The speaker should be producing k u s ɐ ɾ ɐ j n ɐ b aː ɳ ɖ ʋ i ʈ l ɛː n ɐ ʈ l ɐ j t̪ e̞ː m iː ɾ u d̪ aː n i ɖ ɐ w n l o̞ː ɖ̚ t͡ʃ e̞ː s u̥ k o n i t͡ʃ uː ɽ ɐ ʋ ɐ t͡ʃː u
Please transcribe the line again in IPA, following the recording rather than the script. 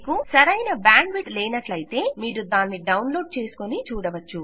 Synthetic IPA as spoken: k u s ɐ ɾ ɐ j n ɐ b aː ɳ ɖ ʋ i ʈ l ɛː n ɐ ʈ l ɐ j t̪ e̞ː m iː ɾ u d̪ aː nː i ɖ ɐ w n l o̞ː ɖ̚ t͡ʃ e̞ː s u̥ k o n i t͡ʃ uː ɽ ɐ ʋ ɐ t͡ʃː u